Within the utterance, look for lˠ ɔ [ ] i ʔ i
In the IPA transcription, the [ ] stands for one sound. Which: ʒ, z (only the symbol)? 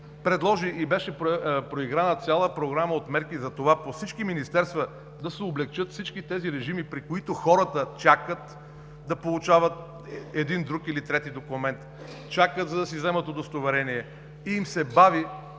ʒ